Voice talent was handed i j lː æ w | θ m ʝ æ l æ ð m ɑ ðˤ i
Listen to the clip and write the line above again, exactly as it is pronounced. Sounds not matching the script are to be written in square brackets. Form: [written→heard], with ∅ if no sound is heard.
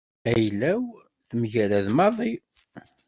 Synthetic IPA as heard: [i→æ] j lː æ w | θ m ʝ æ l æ ð m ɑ ðˤ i